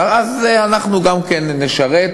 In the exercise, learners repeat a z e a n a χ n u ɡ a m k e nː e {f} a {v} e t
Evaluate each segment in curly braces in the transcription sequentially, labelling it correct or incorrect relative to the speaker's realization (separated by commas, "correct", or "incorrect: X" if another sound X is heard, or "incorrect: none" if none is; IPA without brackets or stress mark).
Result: incorrect: ʃ, incorrect: ʁ